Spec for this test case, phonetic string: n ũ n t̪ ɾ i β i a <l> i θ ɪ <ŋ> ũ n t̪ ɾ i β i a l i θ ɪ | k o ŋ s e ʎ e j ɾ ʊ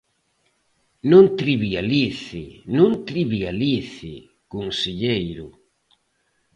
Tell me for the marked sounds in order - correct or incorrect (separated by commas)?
correct, incorrect